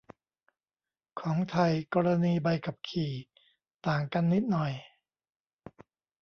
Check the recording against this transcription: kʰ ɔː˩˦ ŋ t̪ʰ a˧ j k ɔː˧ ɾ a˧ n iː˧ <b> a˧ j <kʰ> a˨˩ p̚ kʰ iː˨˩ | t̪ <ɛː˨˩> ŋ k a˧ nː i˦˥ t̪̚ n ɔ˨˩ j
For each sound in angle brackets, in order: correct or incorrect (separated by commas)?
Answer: correct, incorrect, incorrect